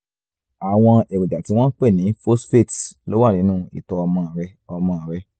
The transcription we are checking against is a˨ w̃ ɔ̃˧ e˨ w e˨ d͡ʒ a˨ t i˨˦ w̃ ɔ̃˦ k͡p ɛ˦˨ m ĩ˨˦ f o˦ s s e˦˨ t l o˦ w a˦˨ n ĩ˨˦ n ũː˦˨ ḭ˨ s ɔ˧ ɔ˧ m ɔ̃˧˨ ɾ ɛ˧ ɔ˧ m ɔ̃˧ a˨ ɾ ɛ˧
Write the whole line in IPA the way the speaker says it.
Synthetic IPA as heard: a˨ w̃ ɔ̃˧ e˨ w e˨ d͡ʒ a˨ t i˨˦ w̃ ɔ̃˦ k͡p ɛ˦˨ n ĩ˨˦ f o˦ s f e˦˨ t l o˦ w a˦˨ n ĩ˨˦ n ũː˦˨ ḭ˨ t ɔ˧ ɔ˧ m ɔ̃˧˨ ɾ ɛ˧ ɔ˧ m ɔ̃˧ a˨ ɾ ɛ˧